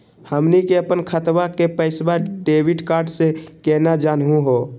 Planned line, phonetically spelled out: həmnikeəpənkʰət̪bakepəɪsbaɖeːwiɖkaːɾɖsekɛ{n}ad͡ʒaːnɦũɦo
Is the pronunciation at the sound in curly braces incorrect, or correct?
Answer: correct